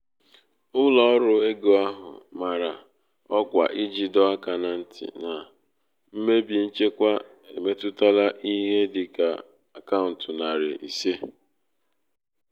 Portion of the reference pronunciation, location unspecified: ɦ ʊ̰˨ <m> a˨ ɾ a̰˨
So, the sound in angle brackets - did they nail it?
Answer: yes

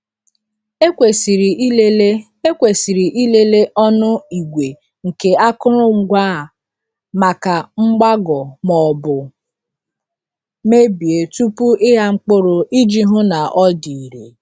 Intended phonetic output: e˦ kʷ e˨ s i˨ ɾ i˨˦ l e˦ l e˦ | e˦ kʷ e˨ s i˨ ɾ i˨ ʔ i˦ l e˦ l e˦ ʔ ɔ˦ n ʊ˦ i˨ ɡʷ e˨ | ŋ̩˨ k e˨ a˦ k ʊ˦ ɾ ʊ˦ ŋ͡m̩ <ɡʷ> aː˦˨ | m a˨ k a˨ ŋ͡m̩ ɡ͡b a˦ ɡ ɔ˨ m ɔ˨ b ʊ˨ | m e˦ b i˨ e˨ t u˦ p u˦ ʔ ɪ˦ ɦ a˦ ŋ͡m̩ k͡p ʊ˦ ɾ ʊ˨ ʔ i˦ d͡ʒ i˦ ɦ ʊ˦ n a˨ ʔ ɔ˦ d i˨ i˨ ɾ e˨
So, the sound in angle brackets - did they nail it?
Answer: yes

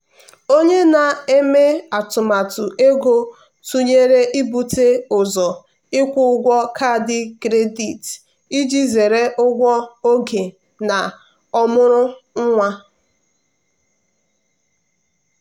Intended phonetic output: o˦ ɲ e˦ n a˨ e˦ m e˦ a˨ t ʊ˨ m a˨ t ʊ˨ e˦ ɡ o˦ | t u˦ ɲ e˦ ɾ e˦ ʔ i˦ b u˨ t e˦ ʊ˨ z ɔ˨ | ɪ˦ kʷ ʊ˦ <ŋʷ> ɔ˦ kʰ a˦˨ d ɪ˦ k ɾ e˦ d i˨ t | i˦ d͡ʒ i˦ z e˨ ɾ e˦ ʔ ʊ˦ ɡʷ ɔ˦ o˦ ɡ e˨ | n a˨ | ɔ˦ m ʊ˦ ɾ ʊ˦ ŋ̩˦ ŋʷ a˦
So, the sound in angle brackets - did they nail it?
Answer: no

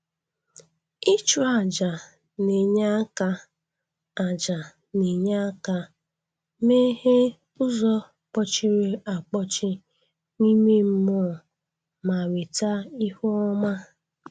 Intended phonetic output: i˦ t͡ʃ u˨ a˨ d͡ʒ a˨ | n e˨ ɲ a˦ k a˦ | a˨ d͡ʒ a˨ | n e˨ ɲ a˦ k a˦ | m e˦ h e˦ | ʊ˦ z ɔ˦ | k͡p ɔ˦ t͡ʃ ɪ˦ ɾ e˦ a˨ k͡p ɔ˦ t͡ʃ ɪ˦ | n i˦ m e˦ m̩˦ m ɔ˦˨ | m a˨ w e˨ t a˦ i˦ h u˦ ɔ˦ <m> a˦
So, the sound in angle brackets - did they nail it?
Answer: yes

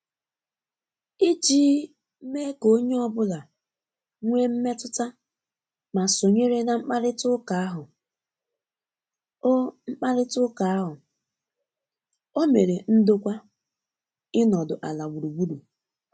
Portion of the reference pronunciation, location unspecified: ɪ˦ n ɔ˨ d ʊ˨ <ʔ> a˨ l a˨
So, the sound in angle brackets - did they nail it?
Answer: yes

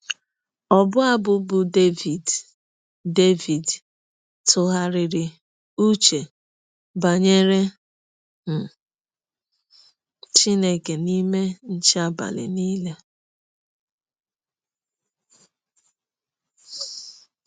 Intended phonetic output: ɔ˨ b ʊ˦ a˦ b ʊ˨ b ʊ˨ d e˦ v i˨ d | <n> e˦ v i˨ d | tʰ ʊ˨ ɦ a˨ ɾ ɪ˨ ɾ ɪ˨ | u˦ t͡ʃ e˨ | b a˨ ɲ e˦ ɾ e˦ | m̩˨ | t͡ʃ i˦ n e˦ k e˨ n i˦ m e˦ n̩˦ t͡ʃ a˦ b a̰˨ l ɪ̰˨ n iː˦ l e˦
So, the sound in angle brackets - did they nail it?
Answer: no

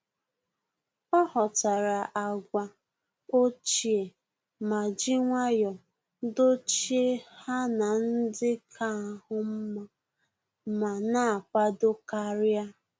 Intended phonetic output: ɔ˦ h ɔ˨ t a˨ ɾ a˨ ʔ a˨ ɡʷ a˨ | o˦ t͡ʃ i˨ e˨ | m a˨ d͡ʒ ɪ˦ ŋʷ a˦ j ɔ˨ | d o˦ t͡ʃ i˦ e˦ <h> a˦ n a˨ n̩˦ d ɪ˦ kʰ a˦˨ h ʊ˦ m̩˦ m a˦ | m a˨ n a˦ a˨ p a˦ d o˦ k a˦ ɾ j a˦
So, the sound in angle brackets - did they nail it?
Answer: yes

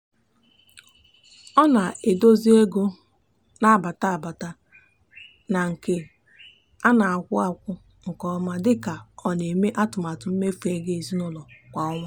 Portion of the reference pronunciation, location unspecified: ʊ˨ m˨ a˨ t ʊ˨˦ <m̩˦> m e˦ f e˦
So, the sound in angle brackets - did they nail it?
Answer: yes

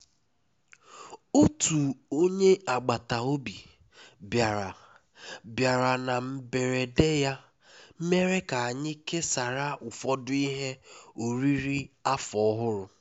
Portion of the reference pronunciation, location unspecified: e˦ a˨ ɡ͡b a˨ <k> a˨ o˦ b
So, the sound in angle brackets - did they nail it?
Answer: no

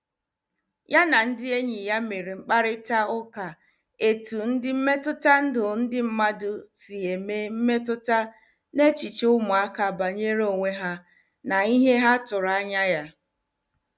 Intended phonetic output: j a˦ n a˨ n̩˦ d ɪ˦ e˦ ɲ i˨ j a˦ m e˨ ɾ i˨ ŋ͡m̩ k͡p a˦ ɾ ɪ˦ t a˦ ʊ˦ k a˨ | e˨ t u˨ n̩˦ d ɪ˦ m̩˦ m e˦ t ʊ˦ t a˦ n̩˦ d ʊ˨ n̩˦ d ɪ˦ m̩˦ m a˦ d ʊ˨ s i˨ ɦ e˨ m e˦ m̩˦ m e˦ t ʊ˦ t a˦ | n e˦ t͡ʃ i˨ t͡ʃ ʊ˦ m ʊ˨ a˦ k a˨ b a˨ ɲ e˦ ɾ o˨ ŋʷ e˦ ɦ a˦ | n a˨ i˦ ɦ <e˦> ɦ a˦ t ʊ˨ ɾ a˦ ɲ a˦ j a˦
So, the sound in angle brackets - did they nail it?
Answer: yes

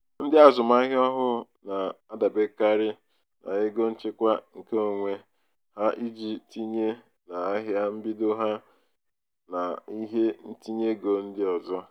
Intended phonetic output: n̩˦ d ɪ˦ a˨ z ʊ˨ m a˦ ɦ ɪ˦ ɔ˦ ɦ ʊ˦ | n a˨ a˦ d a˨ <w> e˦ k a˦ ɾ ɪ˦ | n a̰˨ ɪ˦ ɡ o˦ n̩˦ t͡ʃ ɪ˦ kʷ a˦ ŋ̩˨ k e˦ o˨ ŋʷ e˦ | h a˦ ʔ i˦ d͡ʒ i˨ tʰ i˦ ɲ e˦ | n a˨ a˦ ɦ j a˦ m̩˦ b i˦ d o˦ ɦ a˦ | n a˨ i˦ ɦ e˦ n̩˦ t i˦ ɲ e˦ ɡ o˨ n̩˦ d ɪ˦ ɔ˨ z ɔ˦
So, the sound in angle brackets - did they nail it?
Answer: no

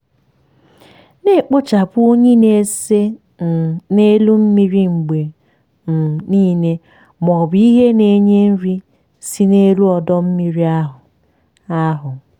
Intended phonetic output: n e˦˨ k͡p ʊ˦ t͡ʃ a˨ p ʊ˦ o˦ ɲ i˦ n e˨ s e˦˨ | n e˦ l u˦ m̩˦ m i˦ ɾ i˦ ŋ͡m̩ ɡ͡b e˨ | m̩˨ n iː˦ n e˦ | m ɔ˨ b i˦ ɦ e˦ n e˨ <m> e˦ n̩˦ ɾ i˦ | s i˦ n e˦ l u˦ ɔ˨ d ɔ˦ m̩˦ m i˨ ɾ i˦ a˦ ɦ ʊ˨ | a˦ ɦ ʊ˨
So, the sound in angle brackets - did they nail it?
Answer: no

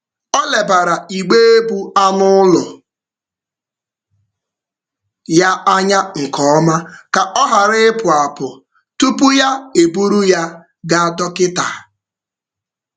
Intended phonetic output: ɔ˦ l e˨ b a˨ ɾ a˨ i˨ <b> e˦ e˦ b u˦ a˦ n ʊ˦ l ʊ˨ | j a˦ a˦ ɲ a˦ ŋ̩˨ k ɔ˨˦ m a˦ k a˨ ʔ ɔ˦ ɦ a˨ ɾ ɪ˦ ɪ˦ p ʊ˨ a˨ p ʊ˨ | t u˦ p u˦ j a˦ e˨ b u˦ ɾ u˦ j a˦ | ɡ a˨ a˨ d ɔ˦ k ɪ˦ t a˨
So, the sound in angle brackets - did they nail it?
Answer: no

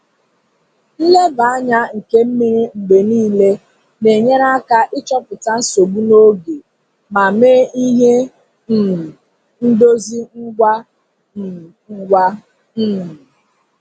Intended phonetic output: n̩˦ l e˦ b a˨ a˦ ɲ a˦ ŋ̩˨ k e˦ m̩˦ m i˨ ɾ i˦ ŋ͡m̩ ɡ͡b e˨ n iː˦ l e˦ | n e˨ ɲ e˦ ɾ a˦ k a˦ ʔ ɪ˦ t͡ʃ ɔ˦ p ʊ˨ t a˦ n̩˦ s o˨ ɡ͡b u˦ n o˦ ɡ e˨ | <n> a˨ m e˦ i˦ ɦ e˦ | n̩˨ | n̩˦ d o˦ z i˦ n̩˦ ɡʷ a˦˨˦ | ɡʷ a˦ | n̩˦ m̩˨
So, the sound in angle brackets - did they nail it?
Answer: no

